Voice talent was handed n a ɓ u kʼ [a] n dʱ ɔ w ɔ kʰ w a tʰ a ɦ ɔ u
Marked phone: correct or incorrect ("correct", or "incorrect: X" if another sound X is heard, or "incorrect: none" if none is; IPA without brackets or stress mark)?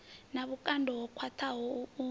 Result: correct